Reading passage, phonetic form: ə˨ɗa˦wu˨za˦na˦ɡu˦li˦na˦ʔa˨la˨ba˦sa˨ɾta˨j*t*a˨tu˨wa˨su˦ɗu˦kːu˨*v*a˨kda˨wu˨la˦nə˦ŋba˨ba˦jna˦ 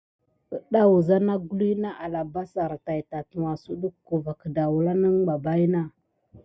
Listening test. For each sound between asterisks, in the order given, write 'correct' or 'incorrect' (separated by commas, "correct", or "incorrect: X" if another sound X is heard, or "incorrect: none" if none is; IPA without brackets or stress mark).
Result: correct, correct